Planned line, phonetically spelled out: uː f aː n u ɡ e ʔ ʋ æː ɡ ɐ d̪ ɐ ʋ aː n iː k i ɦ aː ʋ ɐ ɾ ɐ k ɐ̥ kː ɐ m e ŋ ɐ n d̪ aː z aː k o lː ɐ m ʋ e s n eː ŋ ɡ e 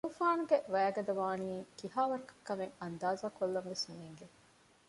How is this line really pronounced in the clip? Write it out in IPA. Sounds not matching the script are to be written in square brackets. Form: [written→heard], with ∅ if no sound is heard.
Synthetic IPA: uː f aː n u ɡ e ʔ ʋ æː ɡ ɐ d̪ ɐ ʋ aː n iː k i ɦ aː ʋ ɐ ɾ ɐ k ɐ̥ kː ɐ m e ŋ ɐ n d̪ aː z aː k o lː ɐ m ʋ e s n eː ŋ ɡ e